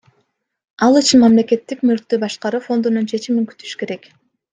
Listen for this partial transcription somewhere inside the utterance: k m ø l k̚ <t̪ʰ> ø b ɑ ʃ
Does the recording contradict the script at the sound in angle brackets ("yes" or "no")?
yes